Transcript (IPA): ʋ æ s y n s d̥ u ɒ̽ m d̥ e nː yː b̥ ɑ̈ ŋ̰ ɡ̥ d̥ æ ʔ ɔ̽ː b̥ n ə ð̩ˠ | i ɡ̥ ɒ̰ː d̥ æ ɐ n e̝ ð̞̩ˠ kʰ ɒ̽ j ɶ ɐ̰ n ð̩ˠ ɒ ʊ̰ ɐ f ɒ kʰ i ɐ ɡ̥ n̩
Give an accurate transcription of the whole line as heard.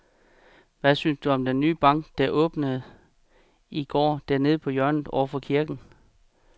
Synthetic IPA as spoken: ʋ æ s y n s d̥ u ɒ̽ m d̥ e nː yː b̥ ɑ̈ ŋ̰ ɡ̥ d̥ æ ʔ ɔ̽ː b̥ n ə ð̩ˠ | i ɡ̥ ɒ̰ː d̥ æ ɐ n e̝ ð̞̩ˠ pʰ ɒ̽ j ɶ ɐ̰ n ð̩ˠ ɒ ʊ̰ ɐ f ɒ kʰ i ɐ ɡ̥ n̩